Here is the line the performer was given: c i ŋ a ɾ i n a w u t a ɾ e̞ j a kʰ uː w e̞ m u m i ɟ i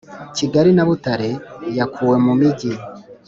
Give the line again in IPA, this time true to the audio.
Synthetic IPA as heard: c i ɡ a ɾ i n a β u t a ɾ e̞ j a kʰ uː w e̞ m u m i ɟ i